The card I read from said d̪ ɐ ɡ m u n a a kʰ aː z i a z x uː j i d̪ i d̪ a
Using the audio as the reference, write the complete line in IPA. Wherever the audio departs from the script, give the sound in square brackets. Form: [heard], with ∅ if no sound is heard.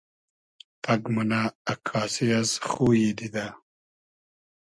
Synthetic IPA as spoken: [t̪] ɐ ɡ m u n a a kʰ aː [s] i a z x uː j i d̪ i d̪ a